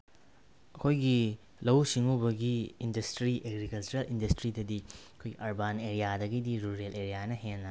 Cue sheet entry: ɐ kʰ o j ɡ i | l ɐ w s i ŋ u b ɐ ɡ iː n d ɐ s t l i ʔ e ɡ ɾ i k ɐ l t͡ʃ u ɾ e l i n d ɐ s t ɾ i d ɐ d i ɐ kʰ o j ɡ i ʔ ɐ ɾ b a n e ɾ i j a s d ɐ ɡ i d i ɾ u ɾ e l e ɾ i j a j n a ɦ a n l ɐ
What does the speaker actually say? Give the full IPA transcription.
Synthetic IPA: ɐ kʰ o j ɡ i | l ɐ w s i ŋ u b ɐ ɡ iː n d ɐ s t ɾ i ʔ e ɡ ɾ i k ɐ l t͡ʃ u ɾ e l i n d ɐ s t ɾ i d ɐ d i ɐ kʰ o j ɡ i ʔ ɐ ɾ b a n e ɾ i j a d ɐ ɡ i d i ɾ u ɾ e l e ɾ i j a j n ɐ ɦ e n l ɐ